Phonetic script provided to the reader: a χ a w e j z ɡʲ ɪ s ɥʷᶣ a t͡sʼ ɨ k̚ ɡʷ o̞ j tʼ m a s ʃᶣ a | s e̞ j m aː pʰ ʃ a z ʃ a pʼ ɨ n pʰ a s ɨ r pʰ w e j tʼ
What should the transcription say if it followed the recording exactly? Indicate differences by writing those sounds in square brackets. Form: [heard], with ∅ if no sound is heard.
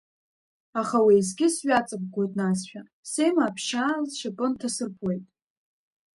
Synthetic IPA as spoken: a χ a w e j z ɡʲ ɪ s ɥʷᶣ a t͡sʼ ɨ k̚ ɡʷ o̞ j tʼ [n] a s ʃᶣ a | s e̞ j m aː pʰ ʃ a z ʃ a pʼ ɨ n [tʰ] a s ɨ r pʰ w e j tʼ